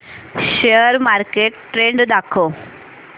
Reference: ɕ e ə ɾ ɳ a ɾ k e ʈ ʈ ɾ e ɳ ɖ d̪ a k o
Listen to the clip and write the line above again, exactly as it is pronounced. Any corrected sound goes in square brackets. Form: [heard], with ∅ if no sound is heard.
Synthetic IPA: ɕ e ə ɾ [m] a ɾ k e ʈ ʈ ɾ e ɳ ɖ d̪ a [kʰ] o

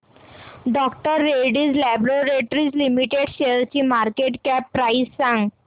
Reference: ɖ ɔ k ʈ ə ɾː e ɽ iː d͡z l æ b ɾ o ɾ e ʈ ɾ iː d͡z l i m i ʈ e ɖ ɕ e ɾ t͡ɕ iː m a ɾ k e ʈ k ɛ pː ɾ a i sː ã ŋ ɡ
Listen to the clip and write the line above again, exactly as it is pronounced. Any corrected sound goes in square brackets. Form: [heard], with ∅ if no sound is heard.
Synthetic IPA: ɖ ɔ k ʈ ə ɾː e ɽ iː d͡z l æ b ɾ o ɾ e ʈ ɾ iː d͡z l i m i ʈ e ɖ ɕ e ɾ t͡ɕ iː m a ɾ k e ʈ k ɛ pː ɾ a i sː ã ŋ ɡ

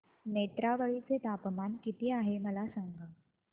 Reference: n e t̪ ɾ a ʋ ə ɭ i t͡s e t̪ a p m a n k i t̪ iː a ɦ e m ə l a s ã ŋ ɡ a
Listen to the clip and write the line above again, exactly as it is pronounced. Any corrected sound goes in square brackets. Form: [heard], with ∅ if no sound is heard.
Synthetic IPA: n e t̪ ɾ a ʋ ə ɭ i t͡s e t̪ a p m a n k i t̪ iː a ɦ e m ə l a s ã ŋ ɡ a

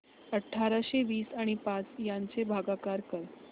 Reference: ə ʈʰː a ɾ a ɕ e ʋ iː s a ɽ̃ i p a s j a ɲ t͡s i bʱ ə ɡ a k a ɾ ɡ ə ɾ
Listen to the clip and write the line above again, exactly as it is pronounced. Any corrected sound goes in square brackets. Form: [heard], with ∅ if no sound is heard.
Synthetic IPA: ə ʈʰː a ɾ a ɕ e ʋ iː s a ɽ̃ i p a [t͡s] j a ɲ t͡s [e] bʱ [a] ɡ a k a ɾ [k] ə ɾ

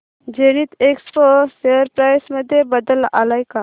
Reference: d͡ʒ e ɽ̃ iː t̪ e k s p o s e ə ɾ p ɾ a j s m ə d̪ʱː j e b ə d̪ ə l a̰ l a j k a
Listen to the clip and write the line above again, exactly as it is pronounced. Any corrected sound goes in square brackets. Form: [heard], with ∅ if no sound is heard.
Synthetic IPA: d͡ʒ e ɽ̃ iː t̪ e k s p o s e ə ɾ p ɾ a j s m ə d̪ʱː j e b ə d̪ ə l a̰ l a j k a

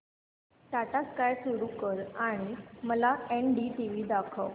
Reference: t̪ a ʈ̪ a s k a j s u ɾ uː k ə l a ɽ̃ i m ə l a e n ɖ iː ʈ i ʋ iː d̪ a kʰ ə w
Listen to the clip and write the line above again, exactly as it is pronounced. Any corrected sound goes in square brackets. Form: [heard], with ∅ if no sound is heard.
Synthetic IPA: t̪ a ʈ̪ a s k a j s u ɾ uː k ə [ɾ] a ɽ̃ i m ə l a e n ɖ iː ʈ i ʋ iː d̪ a kʰ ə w

